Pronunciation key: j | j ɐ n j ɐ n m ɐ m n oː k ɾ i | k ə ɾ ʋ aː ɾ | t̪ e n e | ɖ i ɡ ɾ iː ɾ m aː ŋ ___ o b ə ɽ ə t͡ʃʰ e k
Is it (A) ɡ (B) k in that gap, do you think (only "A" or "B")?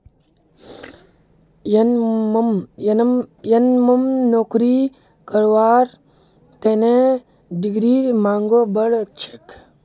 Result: A